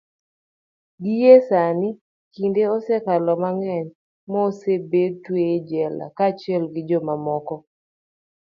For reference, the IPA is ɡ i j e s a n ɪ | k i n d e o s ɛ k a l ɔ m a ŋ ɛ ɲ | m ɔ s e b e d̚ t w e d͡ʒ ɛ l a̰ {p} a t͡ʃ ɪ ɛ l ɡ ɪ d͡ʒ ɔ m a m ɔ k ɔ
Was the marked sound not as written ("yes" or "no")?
yes